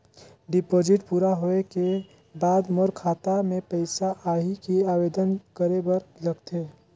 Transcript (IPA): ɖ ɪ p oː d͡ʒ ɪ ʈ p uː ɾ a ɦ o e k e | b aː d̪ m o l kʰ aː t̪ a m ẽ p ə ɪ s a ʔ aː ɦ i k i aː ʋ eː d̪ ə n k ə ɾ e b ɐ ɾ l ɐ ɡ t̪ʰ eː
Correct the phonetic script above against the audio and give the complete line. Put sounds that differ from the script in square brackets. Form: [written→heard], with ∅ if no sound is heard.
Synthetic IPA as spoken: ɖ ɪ p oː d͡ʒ ɪ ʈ p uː ɾ a ɦ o e k e | b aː d̪ m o [l→ɾ] kʰ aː t̪ a m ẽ p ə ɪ s a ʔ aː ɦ i k i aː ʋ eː d̪ ə n k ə ɾ e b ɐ ɾ l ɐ ɡ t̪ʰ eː